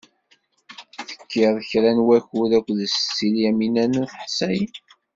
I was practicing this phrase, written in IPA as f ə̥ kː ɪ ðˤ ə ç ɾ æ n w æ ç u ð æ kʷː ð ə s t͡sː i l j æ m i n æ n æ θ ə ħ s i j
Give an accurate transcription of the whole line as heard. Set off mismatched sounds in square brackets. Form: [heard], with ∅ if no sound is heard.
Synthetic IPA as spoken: [θ] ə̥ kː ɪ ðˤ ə ç ɾ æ n w æ ç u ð æ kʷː ð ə s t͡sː i l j æ m i n æ n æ θ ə ħ s [æ] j

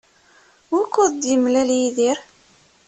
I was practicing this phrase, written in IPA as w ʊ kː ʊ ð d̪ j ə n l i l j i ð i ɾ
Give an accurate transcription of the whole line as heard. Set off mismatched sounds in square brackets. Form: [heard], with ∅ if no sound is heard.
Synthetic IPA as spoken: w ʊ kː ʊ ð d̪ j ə [m] l [æ] l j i ð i ɾ

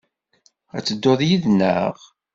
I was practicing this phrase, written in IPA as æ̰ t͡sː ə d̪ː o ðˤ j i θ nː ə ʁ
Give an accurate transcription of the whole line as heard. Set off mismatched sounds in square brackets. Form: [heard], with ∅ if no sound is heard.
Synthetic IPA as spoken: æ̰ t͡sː ə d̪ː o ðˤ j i [ð] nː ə ʁ

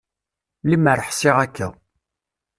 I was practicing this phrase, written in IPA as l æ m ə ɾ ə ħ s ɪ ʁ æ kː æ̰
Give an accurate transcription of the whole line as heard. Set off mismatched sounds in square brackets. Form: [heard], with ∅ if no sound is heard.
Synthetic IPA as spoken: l [i] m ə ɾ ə ħ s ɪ ʁ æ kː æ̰

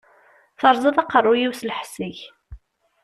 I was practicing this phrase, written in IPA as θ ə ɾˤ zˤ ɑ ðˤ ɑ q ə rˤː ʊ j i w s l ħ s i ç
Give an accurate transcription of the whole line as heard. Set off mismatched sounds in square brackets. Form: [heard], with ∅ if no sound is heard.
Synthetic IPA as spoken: θ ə ɾˤ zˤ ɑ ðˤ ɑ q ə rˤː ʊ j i w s l ħ s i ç

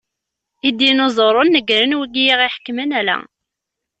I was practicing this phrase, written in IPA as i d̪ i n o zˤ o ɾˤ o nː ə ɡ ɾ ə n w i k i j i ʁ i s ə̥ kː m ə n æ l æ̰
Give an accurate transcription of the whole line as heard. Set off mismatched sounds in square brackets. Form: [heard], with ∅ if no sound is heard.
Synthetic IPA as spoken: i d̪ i n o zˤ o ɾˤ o nː ə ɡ ɾ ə n w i [ɡ] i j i ʁ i [ħ] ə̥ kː m ə n æ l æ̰

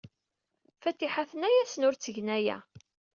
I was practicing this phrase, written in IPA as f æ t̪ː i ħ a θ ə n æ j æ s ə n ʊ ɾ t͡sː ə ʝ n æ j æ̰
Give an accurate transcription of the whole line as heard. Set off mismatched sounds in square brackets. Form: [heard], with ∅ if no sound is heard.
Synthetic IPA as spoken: f æ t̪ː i ħ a θ ə n æ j æ s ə n ʊ ɾ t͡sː ə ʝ n æ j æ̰

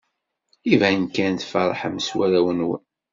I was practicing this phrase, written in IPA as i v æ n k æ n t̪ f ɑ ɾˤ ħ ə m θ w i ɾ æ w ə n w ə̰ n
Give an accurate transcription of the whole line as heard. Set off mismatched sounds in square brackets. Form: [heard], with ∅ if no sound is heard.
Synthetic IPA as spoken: i v æ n k æ n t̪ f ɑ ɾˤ ħ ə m [s] w [æ] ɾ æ w ə n w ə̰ n

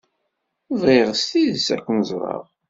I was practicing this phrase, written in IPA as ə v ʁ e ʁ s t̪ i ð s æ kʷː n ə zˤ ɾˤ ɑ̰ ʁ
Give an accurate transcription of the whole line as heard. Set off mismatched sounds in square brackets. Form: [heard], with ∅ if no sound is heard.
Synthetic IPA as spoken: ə v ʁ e ʁ s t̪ i ð s æ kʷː n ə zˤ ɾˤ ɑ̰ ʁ

